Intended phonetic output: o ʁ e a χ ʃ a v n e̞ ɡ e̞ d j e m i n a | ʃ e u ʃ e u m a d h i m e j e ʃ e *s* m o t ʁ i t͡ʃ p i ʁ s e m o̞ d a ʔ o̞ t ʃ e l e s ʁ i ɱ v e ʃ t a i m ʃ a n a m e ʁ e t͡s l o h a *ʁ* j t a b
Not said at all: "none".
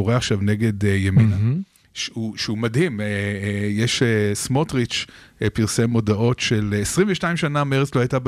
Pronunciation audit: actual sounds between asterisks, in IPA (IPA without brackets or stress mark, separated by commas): s, none